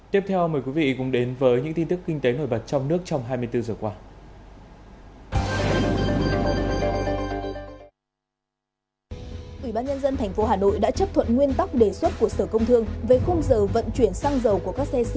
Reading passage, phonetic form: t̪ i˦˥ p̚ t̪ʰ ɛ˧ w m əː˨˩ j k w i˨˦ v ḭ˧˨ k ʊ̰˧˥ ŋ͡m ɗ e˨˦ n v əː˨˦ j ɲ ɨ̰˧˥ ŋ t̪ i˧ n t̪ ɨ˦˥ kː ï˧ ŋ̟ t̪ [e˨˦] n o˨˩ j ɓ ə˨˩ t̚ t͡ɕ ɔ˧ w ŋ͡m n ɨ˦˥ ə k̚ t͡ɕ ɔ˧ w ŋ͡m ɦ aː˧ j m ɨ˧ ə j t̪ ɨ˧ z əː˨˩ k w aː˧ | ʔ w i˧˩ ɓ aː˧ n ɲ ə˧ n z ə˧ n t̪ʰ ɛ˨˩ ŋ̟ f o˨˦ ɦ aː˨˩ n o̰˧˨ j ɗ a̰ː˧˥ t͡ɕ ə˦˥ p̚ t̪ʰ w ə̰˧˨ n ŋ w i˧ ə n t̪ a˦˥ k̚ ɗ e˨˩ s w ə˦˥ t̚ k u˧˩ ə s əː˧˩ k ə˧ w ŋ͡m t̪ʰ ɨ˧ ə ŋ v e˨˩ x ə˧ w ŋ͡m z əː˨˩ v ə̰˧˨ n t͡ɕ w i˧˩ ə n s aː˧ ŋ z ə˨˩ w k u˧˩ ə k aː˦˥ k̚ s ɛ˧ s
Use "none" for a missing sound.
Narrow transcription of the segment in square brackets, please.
e˨˦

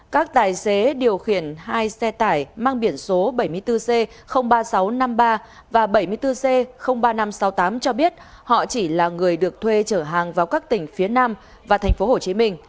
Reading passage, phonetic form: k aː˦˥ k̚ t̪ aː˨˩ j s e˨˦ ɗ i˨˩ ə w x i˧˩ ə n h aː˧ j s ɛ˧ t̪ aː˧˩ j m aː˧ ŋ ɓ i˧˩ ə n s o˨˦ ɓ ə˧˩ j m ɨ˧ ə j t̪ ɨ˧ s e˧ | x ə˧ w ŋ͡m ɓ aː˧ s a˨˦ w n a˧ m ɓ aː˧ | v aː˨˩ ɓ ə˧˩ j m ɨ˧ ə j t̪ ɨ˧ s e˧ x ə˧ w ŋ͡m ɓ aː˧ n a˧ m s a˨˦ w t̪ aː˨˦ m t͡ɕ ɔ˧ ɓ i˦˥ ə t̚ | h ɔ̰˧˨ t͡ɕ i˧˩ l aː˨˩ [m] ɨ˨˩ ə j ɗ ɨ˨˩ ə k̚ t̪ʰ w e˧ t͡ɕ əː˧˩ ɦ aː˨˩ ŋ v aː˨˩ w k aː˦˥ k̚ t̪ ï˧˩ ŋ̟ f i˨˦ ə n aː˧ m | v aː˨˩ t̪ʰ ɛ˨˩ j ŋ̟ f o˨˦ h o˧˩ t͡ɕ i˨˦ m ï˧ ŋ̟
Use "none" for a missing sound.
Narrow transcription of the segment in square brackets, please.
ŋ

